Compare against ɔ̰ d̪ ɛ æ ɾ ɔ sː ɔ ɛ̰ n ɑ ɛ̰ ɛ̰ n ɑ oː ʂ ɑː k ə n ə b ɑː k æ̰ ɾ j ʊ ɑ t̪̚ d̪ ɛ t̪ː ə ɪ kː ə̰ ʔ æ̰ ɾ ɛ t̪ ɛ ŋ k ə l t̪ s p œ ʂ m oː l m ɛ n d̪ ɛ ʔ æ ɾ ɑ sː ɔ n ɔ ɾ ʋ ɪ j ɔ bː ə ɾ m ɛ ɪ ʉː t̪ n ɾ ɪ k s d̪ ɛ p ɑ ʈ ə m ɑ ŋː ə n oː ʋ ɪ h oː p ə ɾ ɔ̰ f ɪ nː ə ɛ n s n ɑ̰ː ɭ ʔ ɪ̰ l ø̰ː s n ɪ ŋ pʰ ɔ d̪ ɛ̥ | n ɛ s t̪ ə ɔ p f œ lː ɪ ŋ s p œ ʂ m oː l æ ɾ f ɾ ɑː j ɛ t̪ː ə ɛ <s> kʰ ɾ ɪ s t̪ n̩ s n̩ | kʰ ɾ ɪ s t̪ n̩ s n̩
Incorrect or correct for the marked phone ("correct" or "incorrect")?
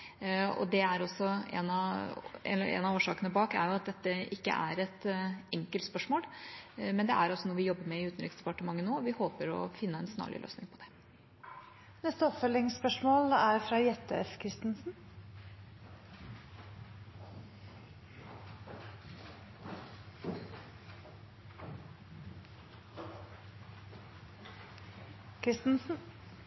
incorrect